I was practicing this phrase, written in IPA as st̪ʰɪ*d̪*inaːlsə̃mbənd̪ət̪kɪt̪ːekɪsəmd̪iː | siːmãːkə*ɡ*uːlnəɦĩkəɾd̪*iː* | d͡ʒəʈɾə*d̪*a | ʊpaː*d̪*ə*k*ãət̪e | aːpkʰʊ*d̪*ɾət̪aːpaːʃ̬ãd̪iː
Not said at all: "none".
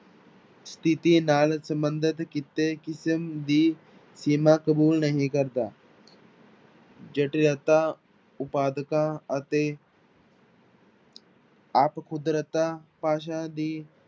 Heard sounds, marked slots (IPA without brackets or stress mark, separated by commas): t̪, b, aː, t̪, d̪, k, d̪